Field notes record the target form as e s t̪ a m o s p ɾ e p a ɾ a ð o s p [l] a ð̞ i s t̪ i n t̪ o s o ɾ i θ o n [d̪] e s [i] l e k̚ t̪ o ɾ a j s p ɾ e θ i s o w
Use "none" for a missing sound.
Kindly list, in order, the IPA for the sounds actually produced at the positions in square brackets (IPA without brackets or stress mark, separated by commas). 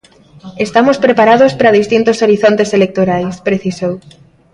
ɾ, t̪, e